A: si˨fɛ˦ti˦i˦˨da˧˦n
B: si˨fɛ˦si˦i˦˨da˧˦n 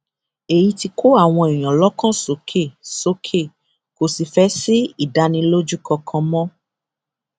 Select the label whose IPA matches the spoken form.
B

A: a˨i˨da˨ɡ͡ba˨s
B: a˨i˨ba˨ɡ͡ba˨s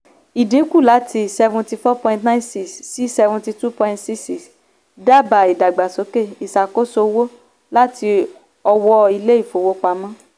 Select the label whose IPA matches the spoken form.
A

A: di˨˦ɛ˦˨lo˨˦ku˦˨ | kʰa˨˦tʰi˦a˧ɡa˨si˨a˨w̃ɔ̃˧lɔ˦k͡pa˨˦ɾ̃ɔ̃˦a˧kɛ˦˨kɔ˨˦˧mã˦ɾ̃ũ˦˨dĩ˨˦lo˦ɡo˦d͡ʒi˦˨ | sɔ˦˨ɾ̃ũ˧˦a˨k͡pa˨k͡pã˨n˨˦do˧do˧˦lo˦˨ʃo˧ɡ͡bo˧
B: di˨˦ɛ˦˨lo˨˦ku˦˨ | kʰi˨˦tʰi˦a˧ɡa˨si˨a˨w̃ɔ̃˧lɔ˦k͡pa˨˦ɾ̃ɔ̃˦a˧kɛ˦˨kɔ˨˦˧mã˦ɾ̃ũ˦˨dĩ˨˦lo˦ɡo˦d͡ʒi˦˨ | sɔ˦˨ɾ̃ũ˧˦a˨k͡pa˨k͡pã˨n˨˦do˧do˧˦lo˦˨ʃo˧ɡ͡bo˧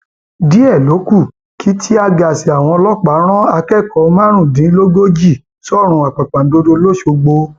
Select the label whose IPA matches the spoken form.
B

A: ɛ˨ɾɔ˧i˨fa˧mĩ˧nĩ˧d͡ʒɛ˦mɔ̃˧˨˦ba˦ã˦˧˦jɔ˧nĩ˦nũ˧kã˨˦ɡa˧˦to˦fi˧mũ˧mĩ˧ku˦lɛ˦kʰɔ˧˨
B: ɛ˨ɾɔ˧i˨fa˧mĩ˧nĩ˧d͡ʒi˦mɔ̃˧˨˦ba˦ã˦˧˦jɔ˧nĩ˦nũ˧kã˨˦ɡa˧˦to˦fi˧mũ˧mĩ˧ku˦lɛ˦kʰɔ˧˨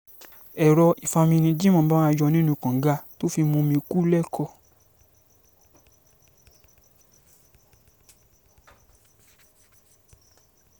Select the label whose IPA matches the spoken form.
B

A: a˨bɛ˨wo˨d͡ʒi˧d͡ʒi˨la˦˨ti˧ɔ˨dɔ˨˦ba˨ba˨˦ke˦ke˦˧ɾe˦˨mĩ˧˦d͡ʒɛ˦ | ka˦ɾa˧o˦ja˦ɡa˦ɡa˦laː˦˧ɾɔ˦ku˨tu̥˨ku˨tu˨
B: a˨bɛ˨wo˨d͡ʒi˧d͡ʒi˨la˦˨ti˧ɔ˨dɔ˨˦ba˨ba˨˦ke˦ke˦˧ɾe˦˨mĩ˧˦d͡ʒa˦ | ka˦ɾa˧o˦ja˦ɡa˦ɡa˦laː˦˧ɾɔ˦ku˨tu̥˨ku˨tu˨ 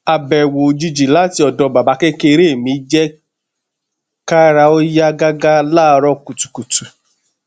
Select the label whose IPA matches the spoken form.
A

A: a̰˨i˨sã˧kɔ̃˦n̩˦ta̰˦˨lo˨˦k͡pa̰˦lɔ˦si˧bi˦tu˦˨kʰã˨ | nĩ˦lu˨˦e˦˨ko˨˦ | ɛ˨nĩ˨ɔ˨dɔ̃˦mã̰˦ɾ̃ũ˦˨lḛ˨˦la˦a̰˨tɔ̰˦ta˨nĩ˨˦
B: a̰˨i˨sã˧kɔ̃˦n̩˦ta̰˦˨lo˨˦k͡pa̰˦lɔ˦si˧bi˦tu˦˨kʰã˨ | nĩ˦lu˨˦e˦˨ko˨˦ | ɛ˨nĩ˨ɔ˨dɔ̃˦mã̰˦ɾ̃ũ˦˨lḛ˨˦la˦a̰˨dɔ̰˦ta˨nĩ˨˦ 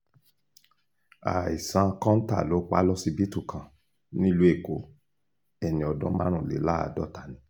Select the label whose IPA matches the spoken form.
B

